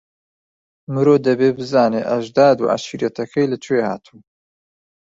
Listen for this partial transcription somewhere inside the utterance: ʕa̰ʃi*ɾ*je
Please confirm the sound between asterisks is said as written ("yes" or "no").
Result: yes